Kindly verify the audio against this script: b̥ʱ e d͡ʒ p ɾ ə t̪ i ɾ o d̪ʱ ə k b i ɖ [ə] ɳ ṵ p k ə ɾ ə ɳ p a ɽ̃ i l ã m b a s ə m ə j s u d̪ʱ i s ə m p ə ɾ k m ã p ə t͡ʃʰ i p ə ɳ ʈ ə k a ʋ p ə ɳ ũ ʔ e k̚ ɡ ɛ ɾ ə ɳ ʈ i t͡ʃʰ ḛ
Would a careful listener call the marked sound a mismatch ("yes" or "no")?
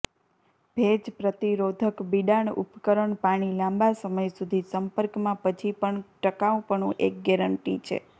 yes